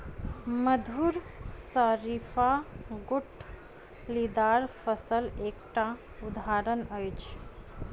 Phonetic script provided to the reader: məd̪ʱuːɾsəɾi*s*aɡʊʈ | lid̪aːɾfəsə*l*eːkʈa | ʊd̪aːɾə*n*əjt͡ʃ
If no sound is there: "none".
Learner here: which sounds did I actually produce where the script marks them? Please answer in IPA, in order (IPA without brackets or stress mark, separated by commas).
f, l, n